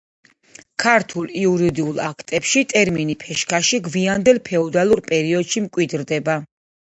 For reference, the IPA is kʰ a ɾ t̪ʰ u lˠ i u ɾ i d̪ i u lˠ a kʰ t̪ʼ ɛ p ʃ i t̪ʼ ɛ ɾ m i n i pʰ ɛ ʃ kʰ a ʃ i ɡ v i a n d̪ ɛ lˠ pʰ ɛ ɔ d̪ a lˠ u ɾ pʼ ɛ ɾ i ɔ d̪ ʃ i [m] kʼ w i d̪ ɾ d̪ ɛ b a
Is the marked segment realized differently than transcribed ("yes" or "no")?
no